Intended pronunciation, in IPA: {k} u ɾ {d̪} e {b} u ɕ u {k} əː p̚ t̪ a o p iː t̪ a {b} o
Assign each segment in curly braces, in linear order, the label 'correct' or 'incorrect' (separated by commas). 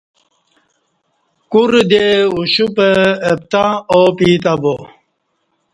correct, correct, incorrect, incorrect, correct